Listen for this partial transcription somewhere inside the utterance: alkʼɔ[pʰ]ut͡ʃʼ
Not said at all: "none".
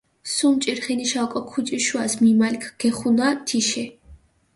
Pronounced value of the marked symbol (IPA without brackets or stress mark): kʰ